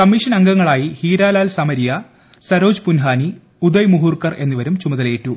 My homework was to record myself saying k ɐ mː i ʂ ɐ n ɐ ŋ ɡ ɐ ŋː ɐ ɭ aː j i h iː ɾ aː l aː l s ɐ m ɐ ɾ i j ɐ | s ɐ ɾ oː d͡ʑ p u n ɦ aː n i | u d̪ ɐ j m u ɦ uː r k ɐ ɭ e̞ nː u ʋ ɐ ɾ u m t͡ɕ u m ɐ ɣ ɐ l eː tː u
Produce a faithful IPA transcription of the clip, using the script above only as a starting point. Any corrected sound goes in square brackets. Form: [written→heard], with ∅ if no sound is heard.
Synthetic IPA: k ɐ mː i ʂ ɐ n ɐ ŋ ɡ ɐ ŋː ɐ ɭ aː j i h iː ɾ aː l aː l s ɐ m ɐ ɾ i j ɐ | s ɐ ɾ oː d͡ʑ p u n ɦ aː n i | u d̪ ɐ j m u ɦ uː r k ɐ [ɭ→r] e̞ nː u ʋ ɐ ɾ u m t͡ɕ u m ɐ [ɣ→ð] ɐ l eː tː u